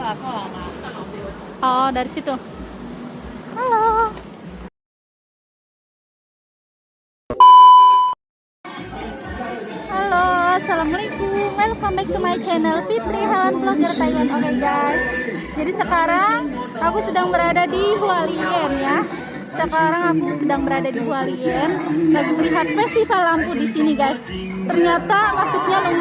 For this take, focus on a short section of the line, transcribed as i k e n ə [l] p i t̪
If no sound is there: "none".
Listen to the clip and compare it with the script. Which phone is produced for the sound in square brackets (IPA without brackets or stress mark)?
l